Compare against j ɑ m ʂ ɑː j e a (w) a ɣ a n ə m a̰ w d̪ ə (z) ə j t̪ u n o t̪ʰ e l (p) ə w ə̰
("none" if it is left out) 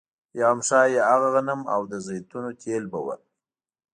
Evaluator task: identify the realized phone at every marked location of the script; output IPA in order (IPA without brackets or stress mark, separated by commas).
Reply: ɣ, z, b